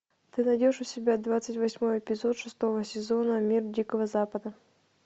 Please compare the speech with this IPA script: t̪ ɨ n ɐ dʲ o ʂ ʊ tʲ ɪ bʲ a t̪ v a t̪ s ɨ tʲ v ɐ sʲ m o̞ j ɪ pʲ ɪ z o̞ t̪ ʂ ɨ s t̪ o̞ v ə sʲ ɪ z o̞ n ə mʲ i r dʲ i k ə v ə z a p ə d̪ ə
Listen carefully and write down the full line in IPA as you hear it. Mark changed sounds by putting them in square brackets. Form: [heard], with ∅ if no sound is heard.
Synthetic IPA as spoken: t̪ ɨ n ɐ dʲ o ʂ ʊ [sʲ] ɪ bʲ a [d̪] v a t̪ s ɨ tʲ v ɐ sʲ m o̞ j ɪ pʲ ɪ z o̞ t̪ ʂ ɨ s t̪ o̞ v ə sʲ ɪ z o̞ n ə mʲ i r dʲ i k ə v ə z a p ə d̪ ə

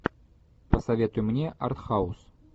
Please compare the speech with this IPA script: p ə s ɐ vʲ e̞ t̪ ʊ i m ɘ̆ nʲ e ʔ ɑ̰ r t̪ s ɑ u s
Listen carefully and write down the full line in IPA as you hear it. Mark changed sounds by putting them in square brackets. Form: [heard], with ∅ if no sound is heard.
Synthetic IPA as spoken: p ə s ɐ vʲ e̞ t̪ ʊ [j] m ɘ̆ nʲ e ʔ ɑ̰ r t̪ [χ] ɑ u s

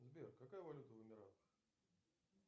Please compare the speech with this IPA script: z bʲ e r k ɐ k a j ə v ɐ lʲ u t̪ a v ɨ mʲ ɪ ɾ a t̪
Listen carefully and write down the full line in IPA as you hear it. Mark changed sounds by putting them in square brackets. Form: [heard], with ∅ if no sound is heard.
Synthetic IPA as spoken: z bʲ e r k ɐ k a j ə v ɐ lʲ u t̪ [ə] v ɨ mʲ ɪ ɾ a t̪

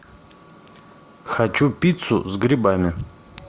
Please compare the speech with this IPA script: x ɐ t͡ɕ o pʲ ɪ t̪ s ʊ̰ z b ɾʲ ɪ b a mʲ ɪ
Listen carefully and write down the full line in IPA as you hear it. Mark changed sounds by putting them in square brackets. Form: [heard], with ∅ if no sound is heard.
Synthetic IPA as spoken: x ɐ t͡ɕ [u] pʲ [i] t̪ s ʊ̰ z [ɡ] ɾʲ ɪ b a mʲ ɪ

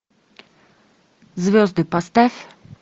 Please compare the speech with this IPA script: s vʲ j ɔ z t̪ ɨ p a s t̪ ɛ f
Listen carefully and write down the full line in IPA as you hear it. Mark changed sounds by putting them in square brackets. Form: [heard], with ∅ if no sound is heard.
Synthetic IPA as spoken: [z] vʲ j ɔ z [d̪] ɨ p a s t̪ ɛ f

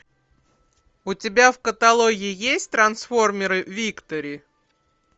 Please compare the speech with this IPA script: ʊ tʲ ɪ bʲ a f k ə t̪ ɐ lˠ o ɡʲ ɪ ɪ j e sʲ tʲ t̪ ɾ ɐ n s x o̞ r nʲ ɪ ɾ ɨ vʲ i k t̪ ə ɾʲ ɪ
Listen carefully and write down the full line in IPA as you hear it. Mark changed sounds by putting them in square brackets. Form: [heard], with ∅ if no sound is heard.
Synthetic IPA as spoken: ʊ tʲ ɪ bʲ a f k ə t̪ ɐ lˠ o ɡʲ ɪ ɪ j e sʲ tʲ t̪ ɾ ɐ n s [f] o̞ r [mʲ] ɪ ɾ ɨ vʲ i k t̪ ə ɾʲ ɪ

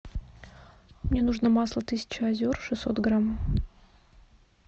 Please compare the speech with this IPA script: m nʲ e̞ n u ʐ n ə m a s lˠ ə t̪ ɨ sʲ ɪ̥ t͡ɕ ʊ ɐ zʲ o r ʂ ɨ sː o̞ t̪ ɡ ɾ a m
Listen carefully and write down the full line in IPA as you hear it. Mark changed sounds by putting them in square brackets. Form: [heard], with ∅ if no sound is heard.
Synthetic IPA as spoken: m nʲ e̞ n u ʐ n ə m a s lˠ ə t̪ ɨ sʲ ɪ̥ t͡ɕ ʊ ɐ zʲ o r ʂ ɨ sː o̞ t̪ ɡ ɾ a m

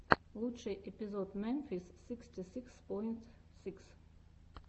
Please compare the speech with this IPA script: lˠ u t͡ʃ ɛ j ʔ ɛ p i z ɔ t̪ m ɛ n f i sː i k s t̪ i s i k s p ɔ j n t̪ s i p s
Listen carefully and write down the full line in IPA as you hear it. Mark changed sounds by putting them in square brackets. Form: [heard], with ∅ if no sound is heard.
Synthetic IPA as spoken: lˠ u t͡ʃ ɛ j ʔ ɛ p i z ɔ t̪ m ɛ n f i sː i k s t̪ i s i k s p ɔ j n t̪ s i [k] s

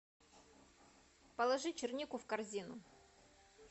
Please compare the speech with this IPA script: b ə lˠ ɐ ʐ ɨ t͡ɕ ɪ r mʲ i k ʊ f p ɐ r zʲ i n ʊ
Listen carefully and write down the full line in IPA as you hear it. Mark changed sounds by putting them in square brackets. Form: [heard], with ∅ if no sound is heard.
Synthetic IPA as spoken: [p] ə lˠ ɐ ʐ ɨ t͡ɕ ɪ r [nʲ] i k ʊ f [k] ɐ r zʲ i n ʊ

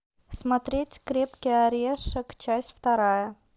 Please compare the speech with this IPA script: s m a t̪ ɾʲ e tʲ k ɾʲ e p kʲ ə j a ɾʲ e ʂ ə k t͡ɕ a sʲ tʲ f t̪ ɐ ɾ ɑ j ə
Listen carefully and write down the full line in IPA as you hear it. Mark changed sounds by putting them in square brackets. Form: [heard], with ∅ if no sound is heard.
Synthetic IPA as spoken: s m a t̪ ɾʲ e tʲ k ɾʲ e p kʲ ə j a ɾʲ e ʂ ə k t͡ɕ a sʲ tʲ f t̪ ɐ ɾ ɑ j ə

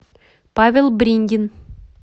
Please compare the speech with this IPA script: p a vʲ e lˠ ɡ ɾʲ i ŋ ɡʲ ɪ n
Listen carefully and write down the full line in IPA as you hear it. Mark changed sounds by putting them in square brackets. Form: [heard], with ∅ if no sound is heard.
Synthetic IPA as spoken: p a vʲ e lˠ [b] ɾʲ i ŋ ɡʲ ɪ n

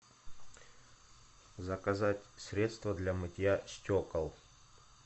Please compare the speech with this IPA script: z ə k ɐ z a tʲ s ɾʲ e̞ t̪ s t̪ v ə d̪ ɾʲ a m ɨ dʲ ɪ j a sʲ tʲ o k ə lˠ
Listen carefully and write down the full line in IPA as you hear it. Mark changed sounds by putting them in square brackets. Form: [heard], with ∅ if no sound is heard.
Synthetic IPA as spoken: z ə k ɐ z a tʲ s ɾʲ e̞ t̪ s t̪ v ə d̪ [lʲ] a m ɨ [tʲ] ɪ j a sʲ tʲ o k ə lˠ

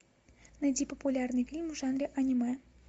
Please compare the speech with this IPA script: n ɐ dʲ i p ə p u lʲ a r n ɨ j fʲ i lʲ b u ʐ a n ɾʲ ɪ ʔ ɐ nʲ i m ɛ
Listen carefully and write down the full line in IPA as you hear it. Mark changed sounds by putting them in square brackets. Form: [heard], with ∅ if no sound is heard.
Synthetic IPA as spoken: n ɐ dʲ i p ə p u lʲ a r n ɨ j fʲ i lʲ [m] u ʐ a n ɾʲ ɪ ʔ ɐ nʲ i m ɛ

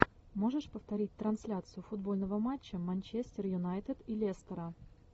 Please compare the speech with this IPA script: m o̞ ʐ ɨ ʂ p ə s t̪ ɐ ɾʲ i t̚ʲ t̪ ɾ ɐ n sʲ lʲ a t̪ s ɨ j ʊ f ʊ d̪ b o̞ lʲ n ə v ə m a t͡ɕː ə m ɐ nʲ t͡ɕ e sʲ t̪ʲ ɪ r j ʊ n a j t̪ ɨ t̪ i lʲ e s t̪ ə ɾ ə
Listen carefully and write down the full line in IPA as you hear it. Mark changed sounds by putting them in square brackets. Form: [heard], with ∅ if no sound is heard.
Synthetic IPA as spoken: m o̞ ʐ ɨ ʂ p ə [f] t̪ ɐ ɾʲ i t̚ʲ t̪ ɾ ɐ n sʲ lʲ a t̪ s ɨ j ʊ f ʊ d̪ b o̞ lʲ n ə v ə m a t͡ɕː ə m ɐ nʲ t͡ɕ e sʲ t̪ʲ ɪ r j ʊ n a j t̪ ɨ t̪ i lʲ e s t̪ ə ɾ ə

